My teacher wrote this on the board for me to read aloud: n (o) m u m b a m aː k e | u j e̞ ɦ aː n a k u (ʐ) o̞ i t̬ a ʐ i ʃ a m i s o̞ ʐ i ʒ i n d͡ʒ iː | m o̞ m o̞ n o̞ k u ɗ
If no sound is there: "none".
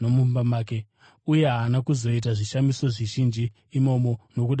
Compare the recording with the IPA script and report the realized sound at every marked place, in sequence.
o, z

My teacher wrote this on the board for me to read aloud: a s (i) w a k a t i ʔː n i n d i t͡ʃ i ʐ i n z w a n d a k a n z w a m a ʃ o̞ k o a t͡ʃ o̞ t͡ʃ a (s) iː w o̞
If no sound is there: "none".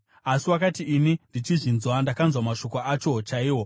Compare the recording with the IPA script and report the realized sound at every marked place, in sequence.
i, none

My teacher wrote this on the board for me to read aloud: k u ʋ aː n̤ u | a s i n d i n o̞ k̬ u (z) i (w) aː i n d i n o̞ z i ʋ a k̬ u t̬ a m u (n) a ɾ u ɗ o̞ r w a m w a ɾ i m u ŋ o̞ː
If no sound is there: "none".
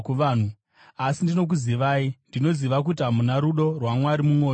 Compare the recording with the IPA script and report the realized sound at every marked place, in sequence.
z, ʋ, n

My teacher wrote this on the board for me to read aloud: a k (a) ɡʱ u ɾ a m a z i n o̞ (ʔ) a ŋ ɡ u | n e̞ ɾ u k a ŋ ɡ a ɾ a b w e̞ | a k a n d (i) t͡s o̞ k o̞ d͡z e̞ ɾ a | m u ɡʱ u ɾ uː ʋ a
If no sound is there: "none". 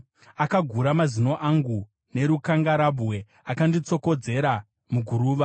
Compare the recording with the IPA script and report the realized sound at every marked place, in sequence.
a, ʔ, i

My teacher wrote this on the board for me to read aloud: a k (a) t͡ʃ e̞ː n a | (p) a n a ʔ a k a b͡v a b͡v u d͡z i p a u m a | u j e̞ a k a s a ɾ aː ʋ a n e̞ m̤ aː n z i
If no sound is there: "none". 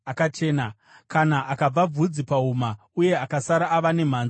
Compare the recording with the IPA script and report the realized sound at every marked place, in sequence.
a, k

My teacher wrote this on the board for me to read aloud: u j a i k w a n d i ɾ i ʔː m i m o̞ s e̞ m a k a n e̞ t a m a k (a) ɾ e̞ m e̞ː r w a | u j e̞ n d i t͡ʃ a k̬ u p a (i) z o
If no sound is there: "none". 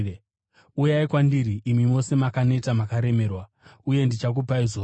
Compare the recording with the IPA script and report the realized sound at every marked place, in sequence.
a, i

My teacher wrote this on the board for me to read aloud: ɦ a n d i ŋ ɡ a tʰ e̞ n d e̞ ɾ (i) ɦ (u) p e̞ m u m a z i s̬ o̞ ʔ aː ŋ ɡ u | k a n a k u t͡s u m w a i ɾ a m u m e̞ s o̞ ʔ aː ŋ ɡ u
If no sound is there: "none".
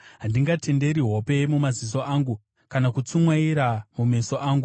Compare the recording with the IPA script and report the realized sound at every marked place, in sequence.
i, o

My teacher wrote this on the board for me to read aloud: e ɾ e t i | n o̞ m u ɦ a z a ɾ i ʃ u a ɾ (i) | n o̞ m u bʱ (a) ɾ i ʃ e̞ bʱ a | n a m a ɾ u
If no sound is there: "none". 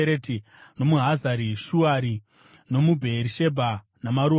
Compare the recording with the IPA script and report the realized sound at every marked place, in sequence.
i, e

